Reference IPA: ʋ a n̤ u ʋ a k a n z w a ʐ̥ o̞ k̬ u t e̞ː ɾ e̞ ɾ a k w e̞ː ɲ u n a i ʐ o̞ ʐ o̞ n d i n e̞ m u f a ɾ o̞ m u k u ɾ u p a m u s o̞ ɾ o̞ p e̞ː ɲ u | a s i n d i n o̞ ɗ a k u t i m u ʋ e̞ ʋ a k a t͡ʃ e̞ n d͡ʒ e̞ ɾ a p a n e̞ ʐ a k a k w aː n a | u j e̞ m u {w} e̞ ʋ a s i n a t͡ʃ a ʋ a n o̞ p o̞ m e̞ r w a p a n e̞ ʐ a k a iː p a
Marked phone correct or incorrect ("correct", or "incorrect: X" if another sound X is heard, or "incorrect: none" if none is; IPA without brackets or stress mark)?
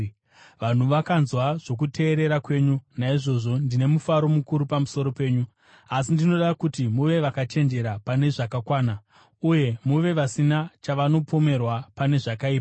incorrect: ʋ